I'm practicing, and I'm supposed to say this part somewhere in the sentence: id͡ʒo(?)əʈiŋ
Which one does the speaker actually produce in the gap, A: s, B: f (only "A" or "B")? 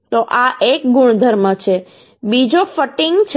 B